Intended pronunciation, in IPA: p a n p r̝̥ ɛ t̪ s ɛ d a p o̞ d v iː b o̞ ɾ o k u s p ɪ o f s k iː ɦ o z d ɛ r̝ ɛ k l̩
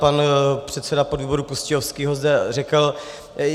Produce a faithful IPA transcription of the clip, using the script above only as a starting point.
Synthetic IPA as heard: p a n p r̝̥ ɛ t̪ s ɛ d a p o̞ d v iː b o̞ ɾ u k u s c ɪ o f s k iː ɦ o z d ɛ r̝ ɛ k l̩